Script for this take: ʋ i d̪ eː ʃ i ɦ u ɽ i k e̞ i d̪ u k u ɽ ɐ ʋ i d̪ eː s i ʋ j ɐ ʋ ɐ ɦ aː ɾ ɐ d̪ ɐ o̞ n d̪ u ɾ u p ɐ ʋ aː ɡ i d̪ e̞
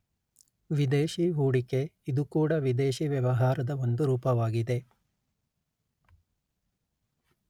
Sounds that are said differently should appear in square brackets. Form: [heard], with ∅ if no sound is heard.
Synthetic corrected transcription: ʋ i d̪ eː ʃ i ɦ [uː] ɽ i k e̞ i d̪ u k [uː] ɽ ɐ ʋ i d̪ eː [ʃ] i ʋ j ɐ ʋ ɐ ɦ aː ɾ ɐ d̪ ɐ o̞ n d̪ u ɾ [uː] p ɐ ʋ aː ɡ i d̪ e̞